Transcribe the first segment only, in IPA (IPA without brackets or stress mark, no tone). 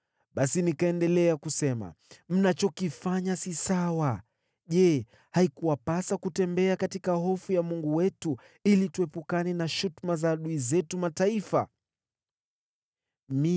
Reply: ɓ